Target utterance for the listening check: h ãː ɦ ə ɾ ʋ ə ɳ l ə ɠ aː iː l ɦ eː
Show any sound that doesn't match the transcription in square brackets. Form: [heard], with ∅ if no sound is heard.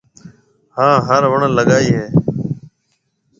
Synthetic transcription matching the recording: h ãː ɦ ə ɾ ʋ ə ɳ l ə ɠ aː iː [∅] ɦ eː